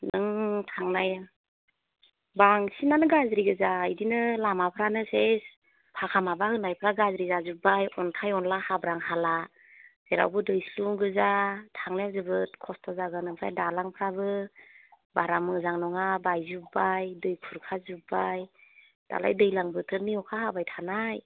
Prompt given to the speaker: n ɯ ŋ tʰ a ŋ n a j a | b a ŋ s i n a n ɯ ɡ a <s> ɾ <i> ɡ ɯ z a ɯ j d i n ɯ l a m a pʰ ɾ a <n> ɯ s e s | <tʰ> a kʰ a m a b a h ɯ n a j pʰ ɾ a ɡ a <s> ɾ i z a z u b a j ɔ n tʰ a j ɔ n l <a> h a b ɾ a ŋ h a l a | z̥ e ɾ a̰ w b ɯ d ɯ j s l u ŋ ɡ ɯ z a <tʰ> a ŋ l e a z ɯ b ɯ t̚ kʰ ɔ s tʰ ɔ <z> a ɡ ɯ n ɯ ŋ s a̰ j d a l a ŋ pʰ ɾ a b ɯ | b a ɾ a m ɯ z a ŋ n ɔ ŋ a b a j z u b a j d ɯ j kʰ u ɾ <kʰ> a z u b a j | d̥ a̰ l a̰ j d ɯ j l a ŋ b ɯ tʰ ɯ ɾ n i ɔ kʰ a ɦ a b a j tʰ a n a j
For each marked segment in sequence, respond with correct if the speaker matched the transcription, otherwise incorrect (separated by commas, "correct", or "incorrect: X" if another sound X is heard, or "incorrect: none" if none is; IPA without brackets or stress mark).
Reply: incorrect: z, correct, correct, incorrect: pʰ, incorrect: z, correct, correct, correct, correct